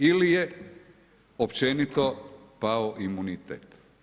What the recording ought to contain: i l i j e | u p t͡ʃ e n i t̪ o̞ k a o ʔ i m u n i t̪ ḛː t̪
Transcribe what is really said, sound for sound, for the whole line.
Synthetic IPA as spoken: i l i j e | o p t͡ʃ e n i t̪ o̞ p a o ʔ i m u n i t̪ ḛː t̪